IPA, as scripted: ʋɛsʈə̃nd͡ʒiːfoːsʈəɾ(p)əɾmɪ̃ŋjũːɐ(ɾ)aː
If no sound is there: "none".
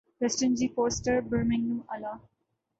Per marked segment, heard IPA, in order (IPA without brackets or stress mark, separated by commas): b, l